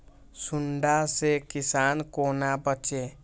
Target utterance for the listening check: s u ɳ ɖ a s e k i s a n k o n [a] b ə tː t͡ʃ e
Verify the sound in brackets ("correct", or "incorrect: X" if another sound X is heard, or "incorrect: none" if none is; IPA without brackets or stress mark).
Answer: correct